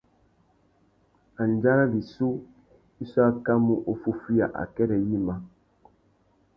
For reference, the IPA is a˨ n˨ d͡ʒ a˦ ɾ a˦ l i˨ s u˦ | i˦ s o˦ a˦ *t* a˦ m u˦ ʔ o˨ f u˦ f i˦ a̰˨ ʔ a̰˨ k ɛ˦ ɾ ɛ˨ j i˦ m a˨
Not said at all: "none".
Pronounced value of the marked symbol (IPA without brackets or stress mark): k